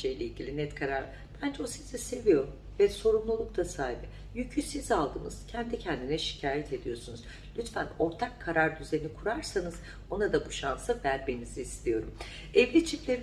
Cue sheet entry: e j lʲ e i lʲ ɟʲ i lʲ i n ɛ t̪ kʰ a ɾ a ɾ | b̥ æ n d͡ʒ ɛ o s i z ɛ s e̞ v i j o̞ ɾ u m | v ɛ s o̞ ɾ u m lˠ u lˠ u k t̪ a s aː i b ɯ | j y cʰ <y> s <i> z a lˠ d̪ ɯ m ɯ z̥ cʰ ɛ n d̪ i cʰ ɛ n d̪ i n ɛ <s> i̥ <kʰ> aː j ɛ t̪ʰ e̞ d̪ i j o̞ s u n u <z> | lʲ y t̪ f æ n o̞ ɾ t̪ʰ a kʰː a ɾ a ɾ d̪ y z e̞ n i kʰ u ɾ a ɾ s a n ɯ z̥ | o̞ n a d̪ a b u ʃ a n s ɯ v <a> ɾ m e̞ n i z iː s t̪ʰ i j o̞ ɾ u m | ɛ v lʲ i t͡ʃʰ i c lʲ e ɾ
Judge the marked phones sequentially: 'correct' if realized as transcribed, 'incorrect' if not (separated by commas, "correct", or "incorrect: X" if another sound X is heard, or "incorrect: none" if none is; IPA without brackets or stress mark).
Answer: correct, correct, incorrect: ʃ, incorrect: cʰ, correct, incorrect: æ